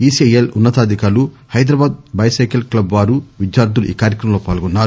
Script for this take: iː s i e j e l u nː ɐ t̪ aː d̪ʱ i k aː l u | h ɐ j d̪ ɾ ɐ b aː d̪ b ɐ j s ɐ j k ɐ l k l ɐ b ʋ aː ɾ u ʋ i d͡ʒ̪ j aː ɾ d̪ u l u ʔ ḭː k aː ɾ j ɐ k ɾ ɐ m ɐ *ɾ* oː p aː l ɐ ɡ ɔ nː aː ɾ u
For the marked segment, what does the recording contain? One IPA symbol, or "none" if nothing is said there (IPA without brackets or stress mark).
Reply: l